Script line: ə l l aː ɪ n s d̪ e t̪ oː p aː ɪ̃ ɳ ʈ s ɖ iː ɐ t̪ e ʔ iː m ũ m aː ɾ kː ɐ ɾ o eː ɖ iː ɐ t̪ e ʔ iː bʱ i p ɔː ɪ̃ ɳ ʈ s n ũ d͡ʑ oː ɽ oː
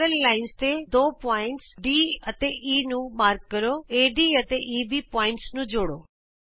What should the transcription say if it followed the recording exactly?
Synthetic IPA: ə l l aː ɪ n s t̪ e d̪ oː p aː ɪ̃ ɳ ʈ s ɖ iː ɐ t̪ e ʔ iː n ũ m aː ɾ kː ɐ ɾ o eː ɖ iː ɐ t̪ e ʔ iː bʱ i p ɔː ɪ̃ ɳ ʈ s n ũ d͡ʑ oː ɽ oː